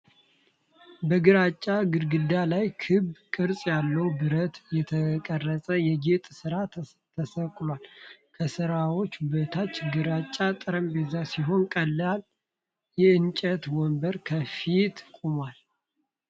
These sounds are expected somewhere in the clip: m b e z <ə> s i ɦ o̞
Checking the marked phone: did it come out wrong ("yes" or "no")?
yes